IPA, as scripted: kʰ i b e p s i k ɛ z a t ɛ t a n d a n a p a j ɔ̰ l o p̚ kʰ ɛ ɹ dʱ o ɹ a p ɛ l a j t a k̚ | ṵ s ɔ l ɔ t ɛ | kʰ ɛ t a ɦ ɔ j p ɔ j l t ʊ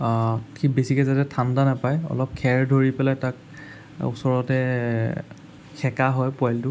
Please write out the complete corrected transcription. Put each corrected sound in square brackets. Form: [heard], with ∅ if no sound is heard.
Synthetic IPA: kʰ i b e [∅] s i k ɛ z a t ɛ [tʰ] a n d a n a p a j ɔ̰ l [ɔ] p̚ kʰ ɛ ɹ dʱ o ɹ [i] p ɛ l a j t a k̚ | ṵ s ɔ [ɹ] ɔ t ɛ | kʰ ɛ [k] a ɦ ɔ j p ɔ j l t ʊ

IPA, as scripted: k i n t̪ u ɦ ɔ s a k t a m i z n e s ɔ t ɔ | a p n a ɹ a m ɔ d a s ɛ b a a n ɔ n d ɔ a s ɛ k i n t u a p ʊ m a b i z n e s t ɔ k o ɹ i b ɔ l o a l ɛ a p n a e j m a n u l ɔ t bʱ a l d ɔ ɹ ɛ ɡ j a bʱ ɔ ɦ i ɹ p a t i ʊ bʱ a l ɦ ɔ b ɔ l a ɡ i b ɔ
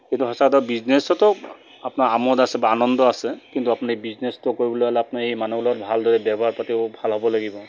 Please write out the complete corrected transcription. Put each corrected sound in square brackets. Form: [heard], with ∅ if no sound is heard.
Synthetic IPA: k i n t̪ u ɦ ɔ s a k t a [b] i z n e s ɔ t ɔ | a p n a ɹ a m ɔ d a s ɛ b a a n ɔ n d ɔ a s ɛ k i n t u a p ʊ [n] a b i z n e s t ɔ k o ɹ i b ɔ l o a l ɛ a p n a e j m a n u l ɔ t bʱ a l d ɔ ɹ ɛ [b] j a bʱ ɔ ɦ [a] ɹ p a t i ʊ bʱ a l ɦ ɔ b ɔ l a ɡ i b ɔ

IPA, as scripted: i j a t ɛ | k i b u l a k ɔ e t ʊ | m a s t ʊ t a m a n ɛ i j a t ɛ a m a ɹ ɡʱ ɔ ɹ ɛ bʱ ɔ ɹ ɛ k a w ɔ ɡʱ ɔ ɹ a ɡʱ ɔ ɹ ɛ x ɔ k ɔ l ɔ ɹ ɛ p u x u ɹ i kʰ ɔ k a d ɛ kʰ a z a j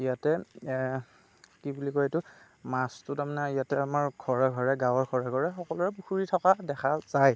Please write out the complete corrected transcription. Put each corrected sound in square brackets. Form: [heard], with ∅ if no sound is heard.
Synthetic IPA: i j a t ɛ | k i b u l [i] k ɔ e t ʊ | m a s t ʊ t a m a n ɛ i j a t ɛ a m a ɹ ɡʱ ɔ ɹ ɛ [ɡʱ] ɔ ɹ ɛ [ɡ] a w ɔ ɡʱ ɔ ɹ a ɡʱ ɔ ɹ ɛ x ɔ k ɔ l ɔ ɹ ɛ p u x u ɹ i [tʰ] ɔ k a d ɛ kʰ a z a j

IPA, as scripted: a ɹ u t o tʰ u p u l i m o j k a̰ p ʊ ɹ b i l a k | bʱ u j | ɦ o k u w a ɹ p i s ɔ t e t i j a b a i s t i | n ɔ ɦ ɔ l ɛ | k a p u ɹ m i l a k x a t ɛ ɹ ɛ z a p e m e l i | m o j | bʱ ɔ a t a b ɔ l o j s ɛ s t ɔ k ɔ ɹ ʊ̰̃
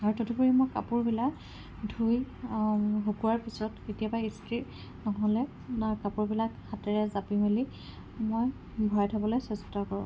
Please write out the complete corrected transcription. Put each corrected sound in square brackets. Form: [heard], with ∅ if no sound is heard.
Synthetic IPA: a ɹ u t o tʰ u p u [ɹ] i m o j k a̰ p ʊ ɹ b i l a k | [dʱ] u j | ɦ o k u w a ɹ p i s ɔ t e t i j a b a i s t i | n ɔ ɦ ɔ l ɛ | k a p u ɹ [b] i l a k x a t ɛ ɹ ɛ z a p [i] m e l i | m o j | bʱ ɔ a [tʰ] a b ɔ l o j s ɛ s t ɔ k ɔ ɹ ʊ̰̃

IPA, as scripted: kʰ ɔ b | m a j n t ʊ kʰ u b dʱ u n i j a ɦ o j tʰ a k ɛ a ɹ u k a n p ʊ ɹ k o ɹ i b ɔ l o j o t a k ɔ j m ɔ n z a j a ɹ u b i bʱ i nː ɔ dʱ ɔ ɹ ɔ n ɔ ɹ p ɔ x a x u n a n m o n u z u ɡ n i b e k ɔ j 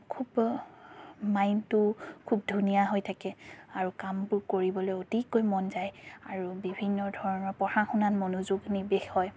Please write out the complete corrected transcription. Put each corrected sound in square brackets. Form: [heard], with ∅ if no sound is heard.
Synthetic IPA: kʰ [u] b | m a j n t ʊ kʰ u b dʱ u n i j a ɦ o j tʰ a k ɛ a ɹ u k a [m] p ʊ ɹ k o ɹ i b ɔ l o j o t [i] k [o] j m ɔ n z a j a ɹ u b i bʱ i nː ɔ dʱ ɔ ɹ ɔ n ɔ ɹ p ɔ x a x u n a n m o n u z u ɡ n i b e [x] ɔ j

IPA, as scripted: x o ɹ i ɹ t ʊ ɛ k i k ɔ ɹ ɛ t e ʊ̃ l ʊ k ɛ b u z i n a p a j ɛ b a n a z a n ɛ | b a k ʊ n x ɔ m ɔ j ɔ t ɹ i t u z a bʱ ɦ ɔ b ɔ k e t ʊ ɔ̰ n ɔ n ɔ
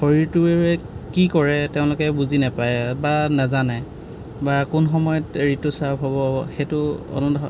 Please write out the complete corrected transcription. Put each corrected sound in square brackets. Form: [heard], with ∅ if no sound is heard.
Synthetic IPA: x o ɹ i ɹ t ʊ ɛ k i k ɔ ɹ ɛ t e ʊ̃ l ʊ k ɛ b u z i n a p a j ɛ b a n a z a n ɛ | b a k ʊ n x ɔ m ɔ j ɔ t ɹ i t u [s] a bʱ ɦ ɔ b ɔ [x] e t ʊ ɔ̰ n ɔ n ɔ

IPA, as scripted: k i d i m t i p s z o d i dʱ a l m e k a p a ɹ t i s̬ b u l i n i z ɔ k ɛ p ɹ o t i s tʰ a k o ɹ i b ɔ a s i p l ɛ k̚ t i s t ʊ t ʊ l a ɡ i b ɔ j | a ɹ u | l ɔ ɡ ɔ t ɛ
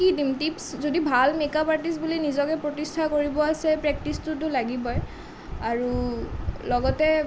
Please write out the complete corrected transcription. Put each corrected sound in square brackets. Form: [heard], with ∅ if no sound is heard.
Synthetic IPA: k i d i m t i p s z o d i [bʱ] a l m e k a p a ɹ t i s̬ b u l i n i z ɔ k ɛ p ɹ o t i s tʰ a k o ɹ i b ɔ a s [ɛ] p [ɹ] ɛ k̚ t i s t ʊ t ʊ l a ɡ i b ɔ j | a ɹ u | l ɔ ɡ ɔ t ɛ

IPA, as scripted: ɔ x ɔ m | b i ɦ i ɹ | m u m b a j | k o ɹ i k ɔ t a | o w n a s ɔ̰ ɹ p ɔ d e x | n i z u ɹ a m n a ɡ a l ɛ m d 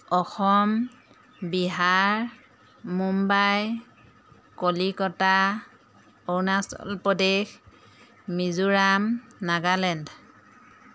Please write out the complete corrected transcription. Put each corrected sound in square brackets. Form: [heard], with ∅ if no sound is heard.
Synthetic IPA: ɔ x ɔ m | b i ɦ [a] ɹ | m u m b a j | k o [l] i k ɔ t a | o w n a s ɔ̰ [l] p ɔ d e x | [m] i z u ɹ a m n a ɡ a l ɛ [n] d

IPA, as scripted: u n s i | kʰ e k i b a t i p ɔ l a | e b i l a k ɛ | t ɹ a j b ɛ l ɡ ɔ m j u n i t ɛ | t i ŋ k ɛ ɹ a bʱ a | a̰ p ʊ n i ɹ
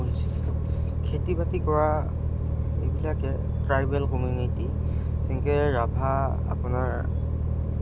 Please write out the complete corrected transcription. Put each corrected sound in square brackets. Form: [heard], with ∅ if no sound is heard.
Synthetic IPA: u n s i | kʰ e [t] i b a t i [k] ɔ [ɹ] a | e b i l a k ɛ | t ɹ a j b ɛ l [k] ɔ m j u n i t [i] | [s] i ŋ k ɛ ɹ a bʱ a | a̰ p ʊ n [a] ɹ

